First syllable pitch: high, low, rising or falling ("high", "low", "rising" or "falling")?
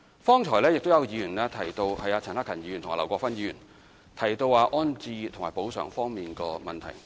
high